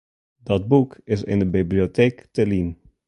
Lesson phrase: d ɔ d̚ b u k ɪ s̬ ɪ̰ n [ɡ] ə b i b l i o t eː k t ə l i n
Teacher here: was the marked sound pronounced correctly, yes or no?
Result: no